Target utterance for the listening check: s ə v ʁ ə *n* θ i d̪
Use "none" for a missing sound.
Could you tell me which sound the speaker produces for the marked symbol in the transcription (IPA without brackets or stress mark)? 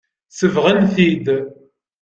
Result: n